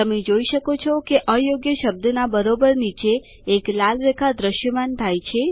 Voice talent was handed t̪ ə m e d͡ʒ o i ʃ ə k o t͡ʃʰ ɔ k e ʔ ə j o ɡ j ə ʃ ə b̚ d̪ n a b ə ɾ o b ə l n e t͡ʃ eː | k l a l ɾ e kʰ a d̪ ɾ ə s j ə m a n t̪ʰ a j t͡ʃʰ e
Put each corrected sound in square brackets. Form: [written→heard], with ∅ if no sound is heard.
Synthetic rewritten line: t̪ ə m e d͡ʒ o i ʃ ə k o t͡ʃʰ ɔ k e ʔ ə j o ɡ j ə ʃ ə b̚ d̪ n a b ə ɾ o b ə [l→ɾ] n [e→i] t͡ʃ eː | k l a l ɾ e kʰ a d̪ ɾ ə [s→ʃ] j ə m a n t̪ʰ a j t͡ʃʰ e

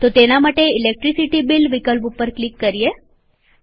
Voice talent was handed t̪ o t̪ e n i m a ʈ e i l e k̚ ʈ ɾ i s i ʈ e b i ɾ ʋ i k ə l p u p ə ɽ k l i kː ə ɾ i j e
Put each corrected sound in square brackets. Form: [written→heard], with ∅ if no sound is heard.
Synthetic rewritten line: t̪ o t̪ e n [i→a] m a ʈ e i l e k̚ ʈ ɾ i s i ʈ [e→i] b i [ɾ→l] ʋ i k ə l p u p ə [ɽ→ɾ] k l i kː ə ɾ i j e

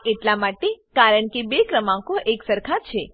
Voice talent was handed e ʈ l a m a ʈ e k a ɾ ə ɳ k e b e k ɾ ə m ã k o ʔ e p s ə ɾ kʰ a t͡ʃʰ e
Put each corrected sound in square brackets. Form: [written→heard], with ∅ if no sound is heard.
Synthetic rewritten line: e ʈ l a m a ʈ e k a ɾ ə ɳ k e b e k ɾ ə m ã k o ʔ e [p→k] s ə ɾ kʰ a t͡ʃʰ e

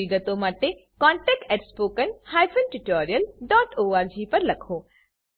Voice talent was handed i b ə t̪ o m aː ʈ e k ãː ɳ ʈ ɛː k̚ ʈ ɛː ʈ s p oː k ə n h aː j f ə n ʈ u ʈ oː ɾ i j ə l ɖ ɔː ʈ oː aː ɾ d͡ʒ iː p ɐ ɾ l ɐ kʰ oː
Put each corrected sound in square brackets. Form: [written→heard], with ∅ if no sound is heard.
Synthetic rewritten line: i [b→ɡ] ə t̪ o m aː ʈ e k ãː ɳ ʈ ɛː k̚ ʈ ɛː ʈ s p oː k ə n h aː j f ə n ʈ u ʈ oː ɾ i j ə l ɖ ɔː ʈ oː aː ɾ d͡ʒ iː p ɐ ɾ l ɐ kʰ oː

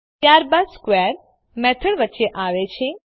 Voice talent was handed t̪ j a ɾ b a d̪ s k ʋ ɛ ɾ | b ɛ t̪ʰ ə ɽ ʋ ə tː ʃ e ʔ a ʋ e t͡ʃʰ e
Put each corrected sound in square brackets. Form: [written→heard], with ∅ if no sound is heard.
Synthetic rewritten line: t̪ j a ɾ b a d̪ s k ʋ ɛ ɾ | [b→m] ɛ t̪ʰ ə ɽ ʋ ə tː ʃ e ʔ a ʋ e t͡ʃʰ e

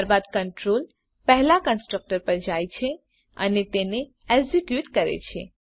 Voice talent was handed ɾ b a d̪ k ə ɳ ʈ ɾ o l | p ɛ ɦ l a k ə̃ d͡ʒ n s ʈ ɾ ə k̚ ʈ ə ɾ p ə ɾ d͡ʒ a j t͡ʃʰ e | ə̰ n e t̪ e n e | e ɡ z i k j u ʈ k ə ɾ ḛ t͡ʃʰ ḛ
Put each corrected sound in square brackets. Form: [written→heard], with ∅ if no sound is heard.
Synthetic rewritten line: ɾ b a d̪ k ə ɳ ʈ ɾ o l | p ɛ ɦ l a k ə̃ [d͡ʒ→∅] n s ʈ ɾ ə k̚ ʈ ə ɾ p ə ɾ d͡ʒ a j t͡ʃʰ e | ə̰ n e t̪ e n e | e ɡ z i k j u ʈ k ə ɾ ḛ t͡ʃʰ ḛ

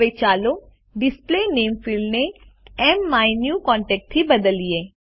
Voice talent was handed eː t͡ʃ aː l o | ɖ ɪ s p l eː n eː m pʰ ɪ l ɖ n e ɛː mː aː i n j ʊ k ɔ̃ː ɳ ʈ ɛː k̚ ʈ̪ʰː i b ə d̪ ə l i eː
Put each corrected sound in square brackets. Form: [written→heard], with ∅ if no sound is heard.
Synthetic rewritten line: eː t͡ʃ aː l o | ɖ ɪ s p l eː n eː m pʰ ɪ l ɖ n e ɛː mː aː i n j [ʊ→u] k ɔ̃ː ɳ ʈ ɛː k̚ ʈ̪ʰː i b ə d̪ ə l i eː

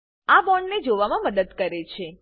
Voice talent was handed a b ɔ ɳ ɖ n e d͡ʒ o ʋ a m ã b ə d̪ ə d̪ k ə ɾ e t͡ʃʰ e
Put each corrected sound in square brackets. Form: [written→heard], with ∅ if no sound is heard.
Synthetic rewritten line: a b ɔ ɳ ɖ n e d͡ʒ o ʋ a m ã [b→m] ə d̪ ə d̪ k ə ɾ e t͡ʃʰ e

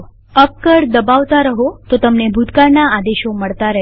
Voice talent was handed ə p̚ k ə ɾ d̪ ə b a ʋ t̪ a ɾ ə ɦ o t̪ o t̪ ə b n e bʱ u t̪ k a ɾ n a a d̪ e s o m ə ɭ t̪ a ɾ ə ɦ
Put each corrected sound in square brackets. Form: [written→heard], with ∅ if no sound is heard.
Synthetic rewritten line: ə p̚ k ə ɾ d̪ ə b a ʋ t̪ a ɾ ə ɦ o t̪ o t̪ ə [b→m] n e bʱ u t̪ k a ɾ n a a d̪ e [s→ʃ] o m ə ɭ t̪ a ɾ ə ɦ

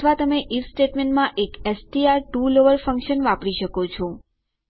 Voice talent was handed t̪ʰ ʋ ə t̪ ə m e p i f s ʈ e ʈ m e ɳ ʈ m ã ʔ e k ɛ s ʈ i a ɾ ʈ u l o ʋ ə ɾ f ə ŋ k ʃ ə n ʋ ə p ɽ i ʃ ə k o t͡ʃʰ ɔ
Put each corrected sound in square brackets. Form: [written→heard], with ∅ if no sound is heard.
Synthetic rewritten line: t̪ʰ ʋ [ə→a] t̪ ə m e [p→ʔ] i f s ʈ e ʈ m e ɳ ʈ m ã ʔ e k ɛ s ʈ i a ɾ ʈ u l o ʋ ə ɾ f ə ŋ k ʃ ə n ʋ [ə→a] p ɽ i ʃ ə k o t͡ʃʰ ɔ

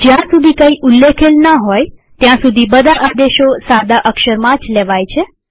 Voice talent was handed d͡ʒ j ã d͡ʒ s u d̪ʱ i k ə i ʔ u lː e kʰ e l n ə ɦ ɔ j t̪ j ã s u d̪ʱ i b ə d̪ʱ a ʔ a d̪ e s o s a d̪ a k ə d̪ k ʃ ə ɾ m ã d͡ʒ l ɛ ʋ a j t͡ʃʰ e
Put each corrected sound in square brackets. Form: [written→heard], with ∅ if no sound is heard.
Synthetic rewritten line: d͡ʒ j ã [d͡ʒ→∅] s u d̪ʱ i k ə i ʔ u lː e kʰ e l n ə ɦ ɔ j t̪ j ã s u d̪ʱ i b ə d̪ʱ a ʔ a d̪ e [s→ʃ] o s a d̪ a [k→ʔ] ə [d̪→∅] k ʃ ə ɾ m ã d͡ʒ l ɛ ʋ a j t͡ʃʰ e

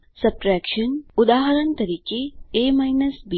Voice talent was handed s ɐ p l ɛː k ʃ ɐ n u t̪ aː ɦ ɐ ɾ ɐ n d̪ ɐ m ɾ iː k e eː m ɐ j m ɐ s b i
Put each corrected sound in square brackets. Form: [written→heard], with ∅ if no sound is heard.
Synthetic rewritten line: s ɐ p [l→ɾ] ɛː k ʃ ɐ n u [t̪→d̪] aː ɦ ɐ ɾ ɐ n [d̪→t̪] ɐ [m→∅] ɾ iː k e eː m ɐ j [m→n] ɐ s b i

